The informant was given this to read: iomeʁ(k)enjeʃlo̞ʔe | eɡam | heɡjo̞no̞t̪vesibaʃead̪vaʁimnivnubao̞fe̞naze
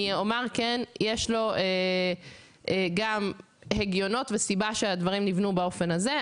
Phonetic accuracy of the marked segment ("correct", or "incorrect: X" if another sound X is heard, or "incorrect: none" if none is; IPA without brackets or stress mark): correct